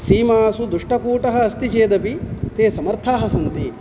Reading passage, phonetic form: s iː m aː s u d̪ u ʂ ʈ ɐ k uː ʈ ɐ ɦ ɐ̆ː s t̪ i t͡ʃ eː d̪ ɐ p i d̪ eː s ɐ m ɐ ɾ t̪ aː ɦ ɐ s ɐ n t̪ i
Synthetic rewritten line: s iː m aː s u d̪ u ʂ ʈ ɐ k uː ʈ ɐ ɦ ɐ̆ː s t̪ i t͡ʃ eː d̪ ɐ p i t̪ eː s ɐ m ɐ ɾ t̪ʰ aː ɦ ɐ s ɐ n t̪ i